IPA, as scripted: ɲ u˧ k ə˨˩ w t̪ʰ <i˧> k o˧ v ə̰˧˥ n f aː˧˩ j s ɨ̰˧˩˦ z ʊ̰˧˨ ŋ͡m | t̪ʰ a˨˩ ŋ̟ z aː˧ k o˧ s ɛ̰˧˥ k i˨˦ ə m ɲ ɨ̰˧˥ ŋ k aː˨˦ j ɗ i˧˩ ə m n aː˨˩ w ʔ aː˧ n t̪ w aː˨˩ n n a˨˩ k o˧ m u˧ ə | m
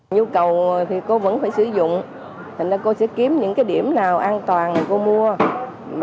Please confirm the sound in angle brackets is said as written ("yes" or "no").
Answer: no